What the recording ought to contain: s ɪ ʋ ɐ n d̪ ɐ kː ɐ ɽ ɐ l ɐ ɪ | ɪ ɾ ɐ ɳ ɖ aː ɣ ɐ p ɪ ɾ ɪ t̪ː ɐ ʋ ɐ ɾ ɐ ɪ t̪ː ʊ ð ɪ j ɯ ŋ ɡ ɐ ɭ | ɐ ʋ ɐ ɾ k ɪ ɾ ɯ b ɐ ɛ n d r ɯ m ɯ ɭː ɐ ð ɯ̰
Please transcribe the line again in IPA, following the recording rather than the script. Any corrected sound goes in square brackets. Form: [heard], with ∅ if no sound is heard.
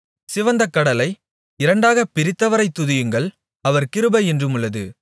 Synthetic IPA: s ɪ ʋ ɐ n d̪ ɐ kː ɐ ɽ ɐ l ɐ ɪ | ɪ ɾ ɐ ɳ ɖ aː ɣ ɐ p ɪ ɾ ɪ t̪ː ɐ ʋ ɐ ɾ ɐ ɪ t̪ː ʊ ð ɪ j ɯ ŋ ɡ ɐ ɭ | ɐ ʋ ɐ ɾ k ɪ ɾ ɯ b ɐ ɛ n d r ɯ m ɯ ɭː ɐ ð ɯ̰

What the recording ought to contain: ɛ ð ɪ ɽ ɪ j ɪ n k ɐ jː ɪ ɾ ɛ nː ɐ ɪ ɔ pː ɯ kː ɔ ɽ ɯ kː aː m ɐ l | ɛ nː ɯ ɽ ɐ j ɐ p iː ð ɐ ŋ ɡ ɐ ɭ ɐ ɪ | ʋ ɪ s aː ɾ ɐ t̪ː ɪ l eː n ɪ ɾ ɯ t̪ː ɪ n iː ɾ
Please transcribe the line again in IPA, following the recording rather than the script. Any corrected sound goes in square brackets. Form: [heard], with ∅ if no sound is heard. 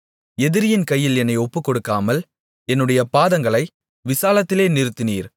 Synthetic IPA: ɛ ð ɪ [ɾ] ɪ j ɪ n k ɐ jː ɪ [l] ɛ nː ɐ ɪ ɔ pː ɯ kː ɔ ɽ ɯ kː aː m ɐ l | ɛ nː ɯ ɽ ɐ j ɐ p [aː] ð ɐ ŋ ɡ ɐ ɭ ɐ ɪ | ʋ ɪ s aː [l] ɐ t̪ː ɪ l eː n ɪ ɾ ɯ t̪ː ɪ n iː ɾ

